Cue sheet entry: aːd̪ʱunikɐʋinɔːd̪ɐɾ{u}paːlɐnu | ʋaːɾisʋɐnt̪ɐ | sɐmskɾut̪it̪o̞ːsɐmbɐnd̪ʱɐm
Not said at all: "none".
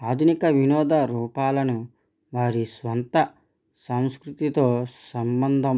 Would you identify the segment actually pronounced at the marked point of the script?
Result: uː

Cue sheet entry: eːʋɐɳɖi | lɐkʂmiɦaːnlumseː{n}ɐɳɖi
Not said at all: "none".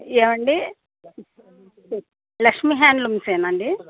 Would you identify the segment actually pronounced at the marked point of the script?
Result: n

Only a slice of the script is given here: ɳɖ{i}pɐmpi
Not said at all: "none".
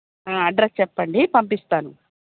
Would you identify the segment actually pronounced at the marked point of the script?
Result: i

